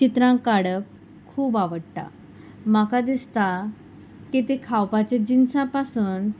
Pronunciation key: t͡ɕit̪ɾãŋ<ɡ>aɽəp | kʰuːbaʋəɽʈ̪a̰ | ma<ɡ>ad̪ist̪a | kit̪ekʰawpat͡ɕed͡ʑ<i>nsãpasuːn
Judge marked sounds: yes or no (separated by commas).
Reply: no, no, yes